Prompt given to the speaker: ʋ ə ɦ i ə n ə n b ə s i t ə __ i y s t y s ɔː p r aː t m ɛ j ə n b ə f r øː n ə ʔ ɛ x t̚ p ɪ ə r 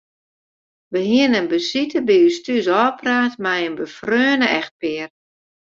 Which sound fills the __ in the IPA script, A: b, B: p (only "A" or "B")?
A